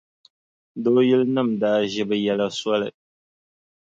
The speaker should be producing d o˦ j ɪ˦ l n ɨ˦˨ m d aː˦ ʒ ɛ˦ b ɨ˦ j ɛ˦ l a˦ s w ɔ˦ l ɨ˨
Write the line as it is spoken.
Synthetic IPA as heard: d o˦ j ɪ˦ l n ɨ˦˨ m d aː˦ ʒ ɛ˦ b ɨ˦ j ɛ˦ l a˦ s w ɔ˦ l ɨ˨